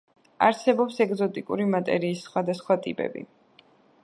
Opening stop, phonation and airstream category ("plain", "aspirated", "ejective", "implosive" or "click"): plain